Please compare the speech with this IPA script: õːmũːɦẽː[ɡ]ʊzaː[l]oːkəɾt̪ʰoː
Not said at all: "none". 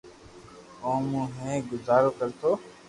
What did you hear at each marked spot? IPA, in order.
ɡ, ɾ

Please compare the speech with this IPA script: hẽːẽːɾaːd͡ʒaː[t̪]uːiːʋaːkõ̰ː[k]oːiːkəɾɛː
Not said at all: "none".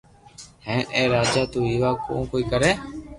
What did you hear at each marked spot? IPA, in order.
t̪, k

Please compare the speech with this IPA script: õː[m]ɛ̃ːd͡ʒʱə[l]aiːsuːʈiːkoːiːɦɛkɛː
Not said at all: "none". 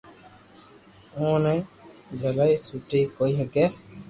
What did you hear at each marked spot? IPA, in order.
n, l

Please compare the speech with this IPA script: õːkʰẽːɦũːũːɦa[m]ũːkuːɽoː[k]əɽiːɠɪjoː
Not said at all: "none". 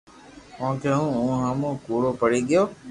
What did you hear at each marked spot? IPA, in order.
m, p

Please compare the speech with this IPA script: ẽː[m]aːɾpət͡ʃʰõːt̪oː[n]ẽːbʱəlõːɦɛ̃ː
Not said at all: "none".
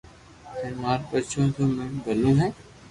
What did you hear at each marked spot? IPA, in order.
m, m

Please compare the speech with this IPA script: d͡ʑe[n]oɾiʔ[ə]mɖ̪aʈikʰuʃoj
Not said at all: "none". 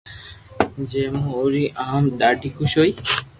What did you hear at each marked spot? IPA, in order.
m, a

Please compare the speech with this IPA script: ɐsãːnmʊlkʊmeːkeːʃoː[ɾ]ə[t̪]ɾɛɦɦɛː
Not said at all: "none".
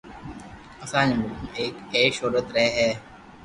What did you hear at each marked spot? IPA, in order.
ɾ, t̪

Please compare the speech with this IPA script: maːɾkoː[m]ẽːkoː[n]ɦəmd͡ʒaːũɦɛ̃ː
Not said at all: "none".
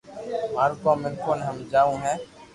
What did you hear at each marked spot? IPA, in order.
m, n

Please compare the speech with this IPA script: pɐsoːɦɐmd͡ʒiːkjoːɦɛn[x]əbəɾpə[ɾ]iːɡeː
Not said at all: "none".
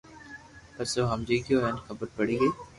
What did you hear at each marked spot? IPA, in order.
x, ɽ

